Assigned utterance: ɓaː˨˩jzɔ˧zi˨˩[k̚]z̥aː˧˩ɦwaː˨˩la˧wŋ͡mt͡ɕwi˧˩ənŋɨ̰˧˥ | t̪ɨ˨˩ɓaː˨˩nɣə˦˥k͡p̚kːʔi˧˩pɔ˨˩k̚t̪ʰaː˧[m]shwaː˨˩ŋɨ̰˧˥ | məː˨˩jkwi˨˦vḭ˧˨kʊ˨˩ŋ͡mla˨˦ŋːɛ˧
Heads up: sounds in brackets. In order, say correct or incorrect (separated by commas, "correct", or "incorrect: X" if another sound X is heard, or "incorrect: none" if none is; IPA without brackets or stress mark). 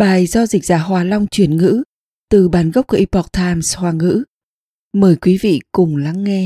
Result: correct, correct